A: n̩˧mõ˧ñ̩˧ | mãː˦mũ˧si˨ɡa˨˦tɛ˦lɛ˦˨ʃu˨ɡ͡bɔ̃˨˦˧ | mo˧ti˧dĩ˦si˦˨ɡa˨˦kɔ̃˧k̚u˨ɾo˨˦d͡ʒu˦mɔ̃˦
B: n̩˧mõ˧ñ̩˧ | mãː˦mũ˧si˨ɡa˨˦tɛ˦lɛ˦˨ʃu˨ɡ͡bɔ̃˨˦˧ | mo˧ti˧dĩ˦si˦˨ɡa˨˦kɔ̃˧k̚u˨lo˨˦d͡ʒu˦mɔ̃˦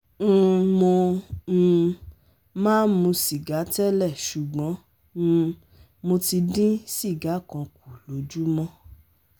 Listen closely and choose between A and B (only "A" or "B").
B